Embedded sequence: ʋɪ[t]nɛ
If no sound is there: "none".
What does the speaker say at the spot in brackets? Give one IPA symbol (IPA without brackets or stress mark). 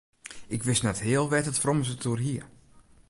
s